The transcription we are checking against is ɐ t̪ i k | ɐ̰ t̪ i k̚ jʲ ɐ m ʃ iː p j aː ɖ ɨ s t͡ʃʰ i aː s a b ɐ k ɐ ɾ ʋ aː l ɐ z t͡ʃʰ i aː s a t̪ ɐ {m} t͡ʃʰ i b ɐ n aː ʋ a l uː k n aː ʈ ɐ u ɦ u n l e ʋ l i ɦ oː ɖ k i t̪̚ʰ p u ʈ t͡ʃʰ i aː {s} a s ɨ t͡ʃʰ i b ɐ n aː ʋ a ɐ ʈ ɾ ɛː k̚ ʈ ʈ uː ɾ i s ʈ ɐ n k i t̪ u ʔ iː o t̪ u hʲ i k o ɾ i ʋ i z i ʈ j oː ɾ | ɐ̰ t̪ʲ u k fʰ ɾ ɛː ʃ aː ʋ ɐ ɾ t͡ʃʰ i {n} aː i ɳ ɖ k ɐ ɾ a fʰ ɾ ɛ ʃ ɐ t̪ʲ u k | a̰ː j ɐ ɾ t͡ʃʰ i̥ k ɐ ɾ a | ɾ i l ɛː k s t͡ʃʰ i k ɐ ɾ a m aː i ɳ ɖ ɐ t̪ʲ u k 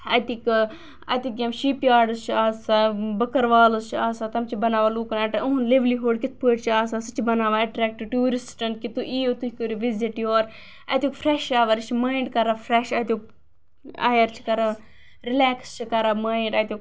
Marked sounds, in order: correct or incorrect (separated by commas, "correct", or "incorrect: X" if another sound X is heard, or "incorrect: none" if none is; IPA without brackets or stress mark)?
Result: correct, correct, incorrect: m